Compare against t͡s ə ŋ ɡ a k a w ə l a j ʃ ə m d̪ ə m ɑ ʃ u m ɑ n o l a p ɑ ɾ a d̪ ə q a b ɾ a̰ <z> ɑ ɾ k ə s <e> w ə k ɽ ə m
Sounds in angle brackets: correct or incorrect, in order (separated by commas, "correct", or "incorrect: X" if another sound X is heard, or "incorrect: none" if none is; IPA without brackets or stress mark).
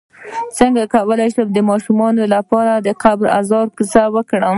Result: correct, incorrect: a